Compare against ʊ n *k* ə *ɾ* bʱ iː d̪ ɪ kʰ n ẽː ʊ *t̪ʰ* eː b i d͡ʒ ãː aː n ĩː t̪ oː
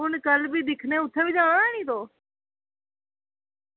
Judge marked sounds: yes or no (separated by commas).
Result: yes, no, yes